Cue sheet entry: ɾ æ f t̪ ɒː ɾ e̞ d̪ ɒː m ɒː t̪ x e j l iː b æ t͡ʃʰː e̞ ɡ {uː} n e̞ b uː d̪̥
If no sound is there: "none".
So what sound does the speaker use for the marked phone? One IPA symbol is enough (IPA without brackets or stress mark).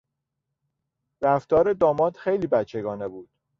ɒː